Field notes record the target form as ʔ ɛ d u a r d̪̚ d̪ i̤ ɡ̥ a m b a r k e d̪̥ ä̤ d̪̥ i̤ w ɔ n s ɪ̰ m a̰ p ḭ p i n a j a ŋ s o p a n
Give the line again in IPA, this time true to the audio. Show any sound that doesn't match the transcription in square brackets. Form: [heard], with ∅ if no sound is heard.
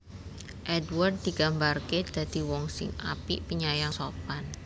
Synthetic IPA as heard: ʔ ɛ d [w] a r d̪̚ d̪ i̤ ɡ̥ a m b a r k e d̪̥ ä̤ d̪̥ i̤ w ɔ [ŋ] s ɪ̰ [ŋ] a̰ p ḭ p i [ɲ] a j a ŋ s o p a n